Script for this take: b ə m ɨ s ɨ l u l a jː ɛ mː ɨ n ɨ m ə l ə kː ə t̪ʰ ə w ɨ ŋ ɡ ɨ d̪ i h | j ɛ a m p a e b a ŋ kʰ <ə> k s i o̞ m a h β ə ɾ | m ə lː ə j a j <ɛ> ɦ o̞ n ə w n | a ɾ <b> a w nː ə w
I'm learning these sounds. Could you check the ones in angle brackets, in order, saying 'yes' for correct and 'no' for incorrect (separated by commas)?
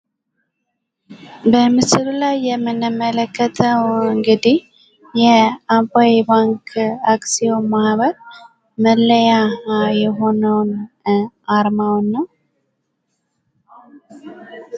no, yes, no